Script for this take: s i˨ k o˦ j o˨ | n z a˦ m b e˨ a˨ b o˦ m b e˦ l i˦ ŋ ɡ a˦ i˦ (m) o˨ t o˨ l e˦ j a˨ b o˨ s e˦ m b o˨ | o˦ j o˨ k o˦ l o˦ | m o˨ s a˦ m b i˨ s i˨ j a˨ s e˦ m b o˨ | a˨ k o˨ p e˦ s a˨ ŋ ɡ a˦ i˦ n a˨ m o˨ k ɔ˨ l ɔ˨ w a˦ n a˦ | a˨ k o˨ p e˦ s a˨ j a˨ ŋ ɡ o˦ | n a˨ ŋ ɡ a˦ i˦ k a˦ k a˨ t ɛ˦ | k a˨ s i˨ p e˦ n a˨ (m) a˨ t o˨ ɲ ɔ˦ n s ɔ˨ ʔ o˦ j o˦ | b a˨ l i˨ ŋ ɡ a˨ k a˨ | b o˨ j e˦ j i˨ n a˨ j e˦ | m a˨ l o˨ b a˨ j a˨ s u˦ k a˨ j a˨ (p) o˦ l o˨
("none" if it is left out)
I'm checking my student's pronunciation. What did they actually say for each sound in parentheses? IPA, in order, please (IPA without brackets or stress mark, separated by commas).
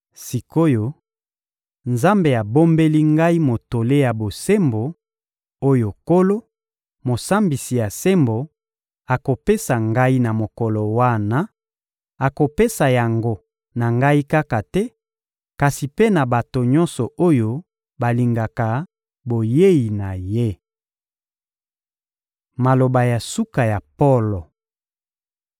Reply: m, b, p